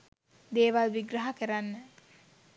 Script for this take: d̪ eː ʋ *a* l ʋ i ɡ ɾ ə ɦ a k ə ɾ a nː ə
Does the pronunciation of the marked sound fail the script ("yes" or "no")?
no